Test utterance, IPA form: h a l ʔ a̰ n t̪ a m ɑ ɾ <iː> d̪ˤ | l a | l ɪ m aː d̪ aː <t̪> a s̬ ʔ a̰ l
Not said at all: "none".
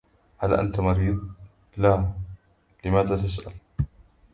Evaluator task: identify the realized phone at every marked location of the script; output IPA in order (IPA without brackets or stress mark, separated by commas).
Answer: iː, t̪